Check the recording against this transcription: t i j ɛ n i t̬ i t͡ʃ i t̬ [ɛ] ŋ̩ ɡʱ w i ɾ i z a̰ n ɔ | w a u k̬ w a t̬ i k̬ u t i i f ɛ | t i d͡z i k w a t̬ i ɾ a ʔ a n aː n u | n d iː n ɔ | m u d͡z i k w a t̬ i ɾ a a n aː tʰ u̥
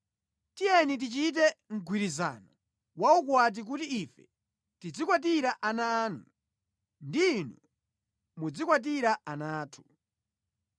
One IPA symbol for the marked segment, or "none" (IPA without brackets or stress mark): ɛ